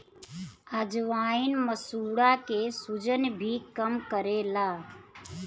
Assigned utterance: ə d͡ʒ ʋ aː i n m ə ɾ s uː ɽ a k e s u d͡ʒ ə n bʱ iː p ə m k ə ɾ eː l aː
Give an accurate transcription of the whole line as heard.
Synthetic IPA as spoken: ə d͡ʒ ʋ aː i n m ə s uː ɽ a k e s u d͡ʒ ə n bʱ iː k ə m k ə ɾ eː l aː